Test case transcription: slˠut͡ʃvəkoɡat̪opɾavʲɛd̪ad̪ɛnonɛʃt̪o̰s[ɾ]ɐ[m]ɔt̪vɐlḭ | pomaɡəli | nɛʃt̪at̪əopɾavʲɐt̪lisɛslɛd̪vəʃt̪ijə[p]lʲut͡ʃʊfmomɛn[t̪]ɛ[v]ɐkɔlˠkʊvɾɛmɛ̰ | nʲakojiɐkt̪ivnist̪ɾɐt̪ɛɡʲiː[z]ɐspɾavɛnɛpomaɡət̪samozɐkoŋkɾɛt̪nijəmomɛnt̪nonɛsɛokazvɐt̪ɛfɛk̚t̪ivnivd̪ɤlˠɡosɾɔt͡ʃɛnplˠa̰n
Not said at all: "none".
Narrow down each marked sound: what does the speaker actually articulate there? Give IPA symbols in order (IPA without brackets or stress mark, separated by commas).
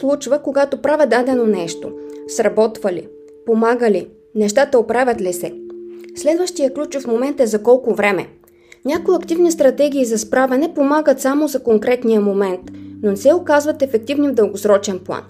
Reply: ɾ, b, k, t̪, z, z